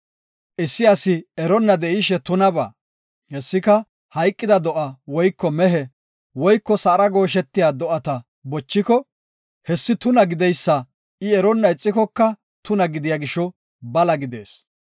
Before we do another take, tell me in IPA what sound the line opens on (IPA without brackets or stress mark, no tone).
ʔ